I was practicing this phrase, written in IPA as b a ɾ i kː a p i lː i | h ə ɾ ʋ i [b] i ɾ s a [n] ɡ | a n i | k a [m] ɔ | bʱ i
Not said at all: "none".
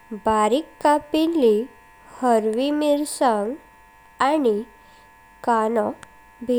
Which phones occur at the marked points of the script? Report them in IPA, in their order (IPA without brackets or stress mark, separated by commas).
m, ŋ, n